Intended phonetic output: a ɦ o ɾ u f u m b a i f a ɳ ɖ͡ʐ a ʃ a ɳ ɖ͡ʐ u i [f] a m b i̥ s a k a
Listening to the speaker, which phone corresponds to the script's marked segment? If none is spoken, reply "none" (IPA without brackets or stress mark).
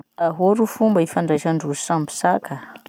s